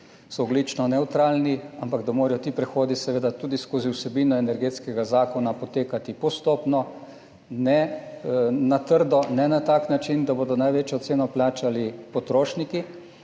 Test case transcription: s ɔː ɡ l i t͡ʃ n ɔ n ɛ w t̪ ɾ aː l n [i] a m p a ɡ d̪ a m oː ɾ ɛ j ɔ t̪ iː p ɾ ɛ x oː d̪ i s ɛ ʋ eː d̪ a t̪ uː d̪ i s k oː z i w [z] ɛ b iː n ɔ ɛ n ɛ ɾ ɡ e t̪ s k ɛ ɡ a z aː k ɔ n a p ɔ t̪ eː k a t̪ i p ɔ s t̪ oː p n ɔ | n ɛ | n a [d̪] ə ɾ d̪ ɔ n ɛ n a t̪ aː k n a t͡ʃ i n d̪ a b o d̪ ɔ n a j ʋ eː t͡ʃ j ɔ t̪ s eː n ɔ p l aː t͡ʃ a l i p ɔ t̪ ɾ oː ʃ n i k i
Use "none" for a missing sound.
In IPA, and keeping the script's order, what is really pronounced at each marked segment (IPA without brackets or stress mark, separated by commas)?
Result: i, s, t̪